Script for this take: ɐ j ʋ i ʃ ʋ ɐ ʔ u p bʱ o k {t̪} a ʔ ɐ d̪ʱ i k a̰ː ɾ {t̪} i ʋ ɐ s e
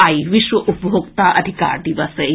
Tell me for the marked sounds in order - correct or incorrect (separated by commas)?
correct, incorrect